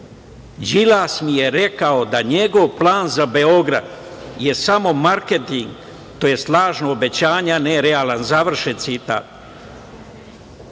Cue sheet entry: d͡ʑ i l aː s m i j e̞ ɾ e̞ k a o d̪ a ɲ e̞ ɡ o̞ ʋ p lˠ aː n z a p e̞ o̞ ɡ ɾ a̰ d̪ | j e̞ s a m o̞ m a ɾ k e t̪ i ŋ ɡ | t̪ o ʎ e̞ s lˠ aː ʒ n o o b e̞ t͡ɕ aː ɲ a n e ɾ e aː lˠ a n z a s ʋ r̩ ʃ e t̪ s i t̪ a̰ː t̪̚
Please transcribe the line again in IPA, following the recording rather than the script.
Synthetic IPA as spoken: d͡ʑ i l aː s m i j e̞ ɾ e̞ k a o d̪ a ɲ e̞ ɡ o̞ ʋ p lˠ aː n z a b e̞ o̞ ɡ ɾ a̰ d̪ | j e̞ s a m o̞ m a ɾ k e t̪ i ŋ ɡ | t̪ o j e̞ s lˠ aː ʒ n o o b e̞ t͡ɕ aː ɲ a n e ɾ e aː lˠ a n z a ʋ r̩ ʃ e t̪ s i t̪ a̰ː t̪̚